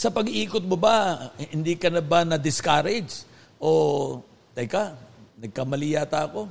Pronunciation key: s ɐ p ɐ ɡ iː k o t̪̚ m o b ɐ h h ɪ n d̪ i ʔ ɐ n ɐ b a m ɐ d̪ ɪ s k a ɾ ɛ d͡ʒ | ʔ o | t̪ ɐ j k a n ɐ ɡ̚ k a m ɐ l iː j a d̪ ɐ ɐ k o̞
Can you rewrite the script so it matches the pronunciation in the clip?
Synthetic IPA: s ɐ p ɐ ɡ iː k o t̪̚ m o b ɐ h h ɪ n d̪ i k ɐ n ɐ b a n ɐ d̪ ɪ s k a ɾ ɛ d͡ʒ | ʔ o | t̪ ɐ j k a n ɐ ɡ̚ k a m ɐ l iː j a t̪ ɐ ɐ k o̞